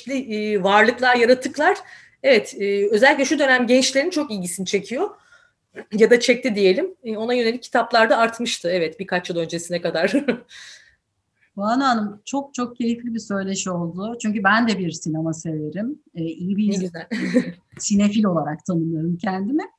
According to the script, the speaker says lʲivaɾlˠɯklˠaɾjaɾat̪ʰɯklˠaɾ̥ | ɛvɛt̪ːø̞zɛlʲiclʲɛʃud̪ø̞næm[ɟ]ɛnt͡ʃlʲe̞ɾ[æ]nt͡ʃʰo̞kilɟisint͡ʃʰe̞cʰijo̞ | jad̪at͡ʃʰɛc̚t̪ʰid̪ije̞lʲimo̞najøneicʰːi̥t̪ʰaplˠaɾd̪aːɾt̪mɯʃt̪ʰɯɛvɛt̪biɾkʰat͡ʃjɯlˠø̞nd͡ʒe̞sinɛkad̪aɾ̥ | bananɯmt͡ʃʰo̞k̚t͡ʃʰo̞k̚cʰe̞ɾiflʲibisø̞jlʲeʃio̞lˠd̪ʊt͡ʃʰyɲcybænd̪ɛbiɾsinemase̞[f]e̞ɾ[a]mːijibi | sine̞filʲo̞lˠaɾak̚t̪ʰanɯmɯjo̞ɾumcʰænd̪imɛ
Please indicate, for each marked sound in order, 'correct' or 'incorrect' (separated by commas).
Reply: correct, incorrect, incorrect, incorrect